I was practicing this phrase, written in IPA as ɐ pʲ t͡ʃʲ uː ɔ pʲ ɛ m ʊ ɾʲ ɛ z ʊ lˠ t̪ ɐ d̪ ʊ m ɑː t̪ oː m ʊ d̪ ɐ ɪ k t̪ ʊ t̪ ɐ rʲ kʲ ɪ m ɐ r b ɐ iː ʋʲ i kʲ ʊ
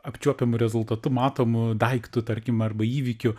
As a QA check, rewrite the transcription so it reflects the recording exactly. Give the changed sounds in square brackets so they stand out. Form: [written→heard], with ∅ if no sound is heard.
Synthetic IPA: ɐ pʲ t͡ʃʲ [uː→u] ɔ pʲ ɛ m ʊ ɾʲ ɛ z ʊ lˠ t̪ ɐ [d̪→t̪] ʊ m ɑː t̪ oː m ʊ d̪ ɐ ɪ k t̪ ʊ t̪ ɐ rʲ kʲ ɪ m ɐ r b ɐ iː ʋʲ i kʲ ʊ